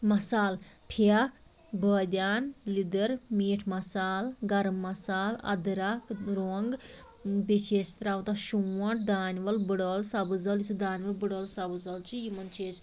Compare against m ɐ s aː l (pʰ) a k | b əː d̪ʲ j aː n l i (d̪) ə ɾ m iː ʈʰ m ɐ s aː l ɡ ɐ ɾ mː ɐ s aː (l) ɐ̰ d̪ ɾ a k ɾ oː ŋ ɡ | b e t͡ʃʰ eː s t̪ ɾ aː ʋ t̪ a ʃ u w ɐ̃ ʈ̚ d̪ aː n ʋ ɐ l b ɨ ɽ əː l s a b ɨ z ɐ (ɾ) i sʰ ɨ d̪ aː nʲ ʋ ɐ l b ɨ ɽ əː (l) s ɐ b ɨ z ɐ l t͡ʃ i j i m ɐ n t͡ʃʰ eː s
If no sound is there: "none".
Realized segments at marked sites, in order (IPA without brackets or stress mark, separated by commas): pʰ, d̪, l, l, l